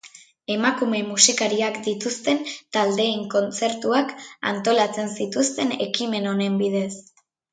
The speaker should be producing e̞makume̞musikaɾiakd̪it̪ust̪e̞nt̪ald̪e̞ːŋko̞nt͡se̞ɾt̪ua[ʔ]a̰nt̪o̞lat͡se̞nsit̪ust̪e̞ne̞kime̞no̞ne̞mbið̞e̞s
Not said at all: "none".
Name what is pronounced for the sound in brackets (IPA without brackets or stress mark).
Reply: k